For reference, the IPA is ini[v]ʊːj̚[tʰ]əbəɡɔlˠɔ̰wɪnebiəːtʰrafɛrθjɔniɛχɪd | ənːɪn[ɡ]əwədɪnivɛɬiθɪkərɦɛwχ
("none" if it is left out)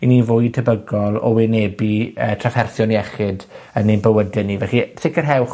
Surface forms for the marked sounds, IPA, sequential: v, tʰ, b

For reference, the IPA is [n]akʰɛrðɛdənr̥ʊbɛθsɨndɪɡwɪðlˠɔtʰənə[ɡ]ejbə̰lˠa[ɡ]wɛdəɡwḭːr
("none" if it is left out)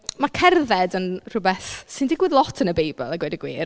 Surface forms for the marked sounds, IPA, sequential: m, b, ɡ

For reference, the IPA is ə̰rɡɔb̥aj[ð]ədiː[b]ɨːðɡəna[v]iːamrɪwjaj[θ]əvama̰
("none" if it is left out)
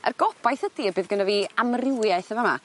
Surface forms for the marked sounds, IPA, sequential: θ, b, v, θ

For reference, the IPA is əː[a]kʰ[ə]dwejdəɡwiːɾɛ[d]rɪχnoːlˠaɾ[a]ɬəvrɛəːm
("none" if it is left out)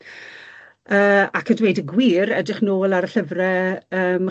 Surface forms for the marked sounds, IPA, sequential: a, ə, d, ə

